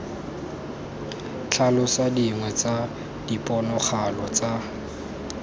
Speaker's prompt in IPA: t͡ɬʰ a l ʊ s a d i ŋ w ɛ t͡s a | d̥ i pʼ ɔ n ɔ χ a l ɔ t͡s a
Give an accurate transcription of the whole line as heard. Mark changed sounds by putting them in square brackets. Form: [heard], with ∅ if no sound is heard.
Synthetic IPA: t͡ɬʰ a l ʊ s a d i ŋ w ɛ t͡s a | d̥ i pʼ ɔ n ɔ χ a l ɔ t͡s a